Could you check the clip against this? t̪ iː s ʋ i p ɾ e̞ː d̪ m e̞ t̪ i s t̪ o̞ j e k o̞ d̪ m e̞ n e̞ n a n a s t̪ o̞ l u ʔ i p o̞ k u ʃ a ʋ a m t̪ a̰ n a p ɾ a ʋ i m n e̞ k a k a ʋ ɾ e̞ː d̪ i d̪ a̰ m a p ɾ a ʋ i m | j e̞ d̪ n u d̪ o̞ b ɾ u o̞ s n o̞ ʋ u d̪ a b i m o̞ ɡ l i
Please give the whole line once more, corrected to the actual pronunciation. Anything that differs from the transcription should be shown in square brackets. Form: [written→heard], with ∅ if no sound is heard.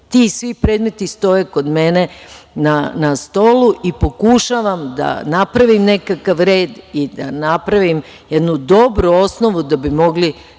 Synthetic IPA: t̪ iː s ʋ i p ɾ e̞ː d̪ m e̞ t̪ i s t̪ o̞ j e k o̞ d̪ m e̞ n e̞ n a n a s t̪ o̞ l u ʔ i p o̞ k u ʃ a ʋ a m [t̪→d̪] a̰ n a p ɾ a ʋ i m n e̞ k a k a ʋ ɾ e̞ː d̪ i d̪ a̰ [m→n] a p ɾ a ʋ i m | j e̞ d̪ n u d̪ o̞ b ɾ u o̞ s n o̞ ʋ u d̪ a b i m o̞ ɡ l i